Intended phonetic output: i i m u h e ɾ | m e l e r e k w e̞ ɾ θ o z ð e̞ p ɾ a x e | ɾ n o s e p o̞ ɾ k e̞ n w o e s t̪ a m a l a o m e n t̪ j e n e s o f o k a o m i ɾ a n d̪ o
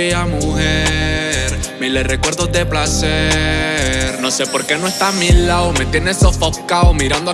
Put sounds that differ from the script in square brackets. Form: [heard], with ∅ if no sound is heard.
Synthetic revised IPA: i [a] m u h e ɾ | m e l e r e k w e̞ ɾ [ð] o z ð e̞ p [l] a [s] e | ɾ n o s e p o̞ ɾ k e̞ n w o e s t̪ a m [i] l a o m e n t̪ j e n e s o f o k a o m i ɾ a n d̪ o